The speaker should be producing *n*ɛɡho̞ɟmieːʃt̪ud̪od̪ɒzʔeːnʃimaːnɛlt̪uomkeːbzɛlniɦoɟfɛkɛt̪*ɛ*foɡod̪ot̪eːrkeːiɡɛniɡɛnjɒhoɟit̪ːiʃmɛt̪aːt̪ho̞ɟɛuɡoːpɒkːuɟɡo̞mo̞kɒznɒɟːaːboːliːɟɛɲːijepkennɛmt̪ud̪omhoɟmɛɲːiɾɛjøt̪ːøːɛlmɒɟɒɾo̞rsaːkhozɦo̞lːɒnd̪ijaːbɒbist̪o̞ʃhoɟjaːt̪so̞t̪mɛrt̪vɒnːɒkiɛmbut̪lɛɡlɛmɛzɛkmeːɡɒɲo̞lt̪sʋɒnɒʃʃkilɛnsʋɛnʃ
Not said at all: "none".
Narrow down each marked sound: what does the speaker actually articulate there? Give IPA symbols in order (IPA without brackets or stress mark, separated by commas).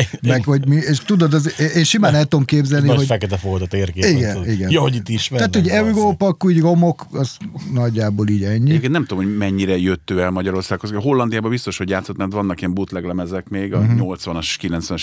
m, ɛ